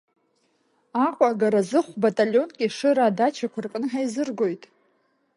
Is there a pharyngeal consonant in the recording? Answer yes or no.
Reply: yes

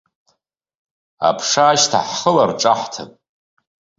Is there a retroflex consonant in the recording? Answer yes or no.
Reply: yes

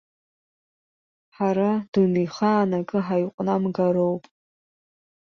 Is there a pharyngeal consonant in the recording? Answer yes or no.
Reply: yes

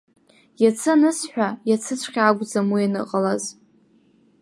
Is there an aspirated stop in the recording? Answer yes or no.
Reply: yes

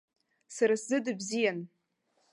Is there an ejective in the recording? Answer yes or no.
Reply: no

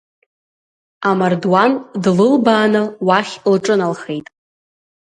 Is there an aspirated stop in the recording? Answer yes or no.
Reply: no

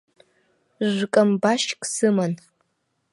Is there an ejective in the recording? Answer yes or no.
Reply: yes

